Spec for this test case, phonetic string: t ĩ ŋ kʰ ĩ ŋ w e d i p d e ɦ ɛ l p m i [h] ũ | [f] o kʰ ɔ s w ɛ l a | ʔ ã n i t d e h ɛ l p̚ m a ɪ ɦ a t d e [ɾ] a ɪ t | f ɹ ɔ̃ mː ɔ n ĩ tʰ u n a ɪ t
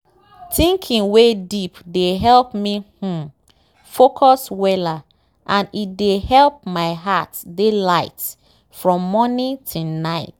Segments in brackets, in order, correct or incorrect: correct, correct, incorrect: l

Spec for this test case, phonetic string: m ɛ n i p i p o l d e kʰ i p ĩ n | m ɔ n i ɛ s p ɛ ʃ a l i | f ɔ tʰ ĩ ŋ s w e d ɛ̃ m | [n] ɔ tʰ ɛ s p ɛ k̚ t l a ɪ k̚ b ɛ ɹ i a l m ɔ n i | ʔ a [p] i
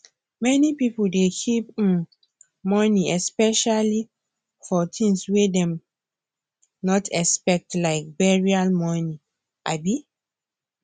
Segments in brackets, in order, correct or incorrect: correct, incorrect: b

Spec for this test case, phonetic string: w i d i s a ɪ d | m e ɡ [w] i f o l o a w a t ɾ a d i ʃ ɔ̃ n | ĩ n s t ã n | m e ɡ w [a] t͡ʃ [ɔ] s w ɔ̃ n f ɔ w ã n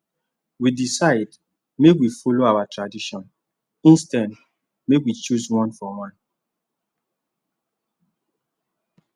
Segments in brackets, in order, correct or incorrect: correct, incorrect: i, incorrect: u

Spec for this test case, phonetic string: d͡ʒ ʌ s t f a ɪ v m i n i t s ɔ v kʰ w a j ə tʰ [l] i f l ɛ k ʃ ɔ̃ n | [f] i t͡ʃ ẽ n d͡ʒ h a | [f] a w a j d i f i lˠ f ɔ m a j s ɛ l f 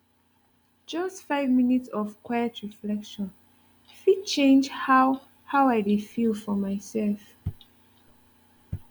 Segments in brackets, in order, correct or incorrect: incorrect: ɹ, correct, incorrect: h

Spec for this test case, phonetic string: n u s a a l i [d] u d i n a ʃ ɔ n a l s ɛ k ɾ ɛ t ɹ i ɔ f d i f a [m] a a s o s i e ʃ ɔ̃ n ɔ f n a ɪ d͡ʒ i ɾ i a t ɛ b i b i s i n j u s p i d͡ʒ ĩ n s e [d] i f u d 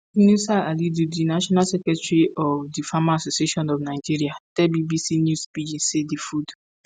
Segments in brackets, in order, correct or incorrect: correct, correct, correct

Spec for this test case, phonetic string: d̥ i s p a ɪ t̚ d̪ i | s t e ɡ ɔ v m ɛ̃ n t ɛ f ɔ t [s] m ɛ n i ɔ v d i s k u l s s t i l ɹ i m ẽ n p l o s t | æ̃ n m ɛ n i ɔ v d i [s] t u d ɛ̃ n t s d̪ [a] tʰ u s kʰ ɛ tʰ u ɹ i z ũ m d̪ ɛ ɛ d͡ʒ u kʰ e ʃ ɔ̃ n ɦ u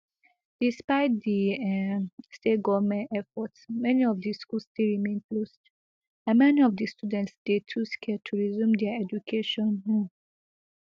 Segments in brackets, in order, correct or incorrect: correct, correct, incorrect: e

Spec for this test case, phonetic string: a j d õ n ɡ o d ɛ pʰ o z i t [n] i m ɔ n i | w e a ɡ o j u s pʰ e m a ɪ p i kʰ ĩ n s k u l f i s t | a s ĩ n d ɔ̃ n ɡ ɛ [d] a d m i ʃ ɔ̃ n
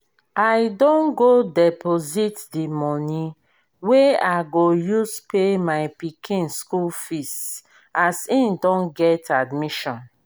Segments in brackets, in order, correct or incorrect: incorrect: d, incorrect: t

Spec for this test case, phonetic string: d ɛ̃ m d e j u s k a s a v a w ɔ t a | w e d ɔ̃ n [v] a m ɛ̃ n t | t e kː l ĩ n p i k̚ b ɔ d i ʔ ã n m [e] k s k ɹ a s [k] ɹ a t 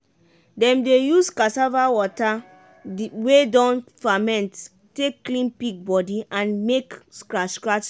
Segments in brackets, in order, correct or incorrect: incorrect: f, correct, correct

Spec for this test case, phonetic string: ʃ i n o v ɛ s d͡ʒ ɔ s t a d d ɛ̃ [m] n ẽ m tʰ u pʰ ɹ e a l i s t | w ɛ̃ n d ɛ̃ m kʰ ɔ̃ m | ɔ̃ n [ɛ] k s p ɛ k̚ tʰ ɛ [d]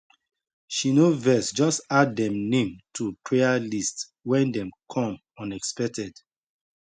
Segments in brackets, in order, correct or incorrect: correct, correct, correct

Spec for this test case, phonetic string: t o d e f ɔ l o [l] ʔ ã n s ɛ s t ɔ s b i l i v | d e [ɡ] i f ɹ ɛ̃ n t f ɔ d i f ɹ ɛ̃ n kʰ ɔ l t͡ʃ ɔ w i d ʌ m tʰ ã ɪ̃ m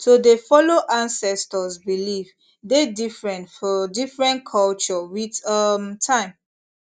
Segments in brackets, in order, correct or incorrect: incorrect: none, incorrect: d

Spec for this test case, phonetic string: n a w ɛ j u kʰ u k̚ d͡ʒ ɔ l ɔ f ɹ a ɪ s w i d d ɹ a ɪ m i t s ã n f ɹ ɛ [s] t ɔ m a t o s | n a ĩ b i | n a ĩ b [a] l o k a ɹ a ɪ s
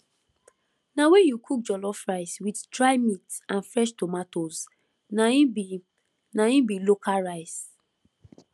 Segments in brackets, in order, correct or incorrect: incorrect: ʃ, incorrect: i

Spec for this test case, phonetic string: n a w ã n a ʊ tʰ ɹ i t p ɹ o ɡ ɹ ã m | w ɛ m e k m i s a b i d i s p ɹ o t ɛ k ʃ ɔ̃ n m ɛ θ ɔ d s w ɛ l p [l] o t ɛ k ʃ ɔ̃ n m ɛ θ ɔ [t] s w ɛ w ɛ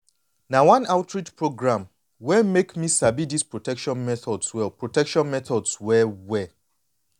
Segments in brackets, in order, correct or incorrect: incorrect: ɹ, incorrect: d

